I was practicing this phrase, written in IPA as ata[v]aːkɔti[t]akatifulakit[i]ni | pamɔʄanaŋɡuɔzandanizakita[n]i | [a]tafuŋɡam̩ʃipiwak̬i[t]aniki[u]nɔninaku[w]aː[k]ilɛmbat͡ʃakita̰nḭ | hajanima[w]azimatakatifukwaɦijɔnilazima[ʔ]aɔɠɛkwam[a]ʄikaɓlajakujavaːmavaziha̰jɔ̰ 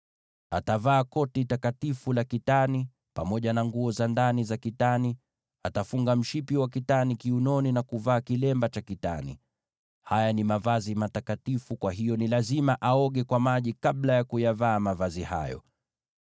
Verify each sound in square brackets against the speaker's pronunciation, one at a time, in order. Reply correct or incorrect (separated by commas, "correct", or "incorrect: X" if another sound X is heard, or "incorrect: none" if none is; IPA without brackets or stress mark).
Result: correct, correct, incorrect: a, correct, correct, correct, correct, incorrect: v, correct, incorrect: v, correct, correct